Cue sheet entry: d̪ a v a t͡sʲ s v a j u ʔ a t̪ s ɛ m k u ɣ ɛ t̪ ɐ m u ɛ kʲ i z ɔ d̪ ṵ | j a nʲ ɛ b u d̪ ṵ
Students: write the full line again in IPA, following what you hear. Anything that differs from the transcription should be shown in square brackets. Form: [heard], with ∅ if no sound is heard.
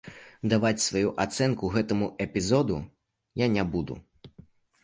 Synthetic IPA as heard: d̪ a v a t͡sʲ s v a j u ʔ a t̪ s ɛ [n] k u ɣ ɛ t̪ ɐ m u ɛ [pʲ] i z ɔ d̪ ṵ | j a nʲ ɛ b u d̪ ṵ